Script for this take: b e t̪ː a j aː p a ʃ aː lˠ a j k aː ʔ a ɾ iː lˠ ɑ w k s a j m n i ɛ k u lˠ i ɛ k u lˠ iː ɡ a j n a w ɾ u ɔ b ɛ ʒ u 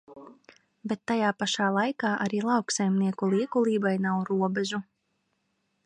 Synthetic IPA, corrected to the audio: b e t̪ː a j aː p a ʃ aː lˠ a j k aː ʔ a ɾ iː lˠ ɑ w k s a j m n i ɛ k u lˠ i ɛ k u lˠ iː b a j n a w ɾ u ɔ b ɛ ʒ u